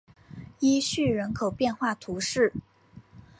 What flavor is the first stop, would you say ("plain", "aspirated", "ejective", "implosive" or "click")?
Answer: aspirated